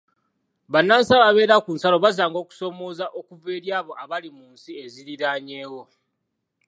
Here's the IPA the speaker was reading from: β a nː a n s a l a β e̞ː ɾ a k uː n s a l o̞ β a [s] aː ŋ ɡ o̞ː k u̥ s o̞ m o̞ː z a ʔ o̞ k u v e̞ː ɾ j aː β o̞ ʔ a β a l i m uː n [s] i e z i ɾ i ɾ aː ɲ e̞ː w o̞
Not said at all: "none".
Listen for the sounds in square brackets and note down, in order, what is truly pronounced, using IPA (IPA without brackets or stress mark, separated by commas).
z, s